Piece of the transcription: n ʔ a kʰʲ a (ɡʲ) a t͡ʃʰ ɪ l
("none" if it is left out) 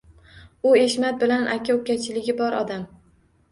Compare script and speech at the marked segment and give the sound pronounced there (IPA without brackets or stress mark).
kʲ